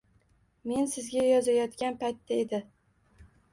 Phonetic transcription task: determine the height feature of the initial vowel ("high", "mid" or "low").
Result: mid